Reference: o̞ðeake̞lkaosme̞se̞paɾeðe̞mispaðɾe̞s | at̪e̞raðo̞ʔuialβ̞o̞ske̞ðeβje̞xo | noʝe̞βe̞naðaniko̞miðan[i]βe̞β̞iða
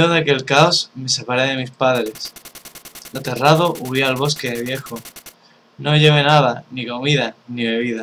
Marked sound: correct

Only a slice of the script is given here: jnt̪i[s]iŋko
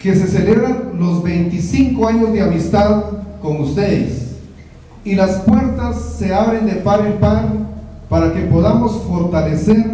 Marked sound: correct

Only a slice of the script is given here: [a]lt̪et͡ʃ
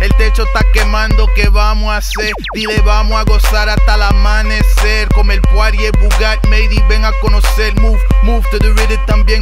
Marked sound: incorrect: e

